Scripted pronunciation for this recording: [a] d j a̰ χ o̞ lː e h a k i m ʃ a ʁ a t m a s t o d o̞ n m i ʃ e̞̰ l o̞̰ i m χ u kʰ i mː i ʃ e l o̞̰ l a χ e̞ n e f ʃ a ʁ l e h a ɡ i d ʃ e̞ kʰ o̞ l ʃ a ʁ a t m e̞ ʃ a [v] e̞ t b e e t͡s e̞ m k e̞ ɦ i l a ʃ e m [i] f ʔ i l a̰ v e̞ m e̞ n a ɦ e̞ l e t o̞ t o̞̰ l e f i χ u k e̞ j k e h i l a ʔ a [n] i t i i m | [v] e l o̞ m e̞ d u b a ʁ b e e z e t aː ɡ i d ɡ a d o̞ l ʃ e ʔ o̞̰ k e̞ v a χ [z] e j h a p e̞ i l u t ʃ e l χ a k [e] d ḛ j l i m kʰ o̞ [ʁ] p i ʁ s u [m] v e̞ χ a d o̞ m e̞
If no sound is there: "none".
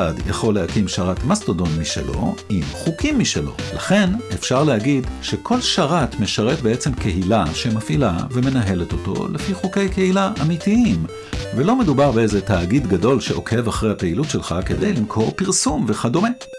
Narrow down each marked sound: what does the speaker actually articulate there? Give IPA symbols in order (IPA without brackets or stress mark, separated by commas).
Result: a, ʁ, a, m, v, ʁ, e, ʁ, m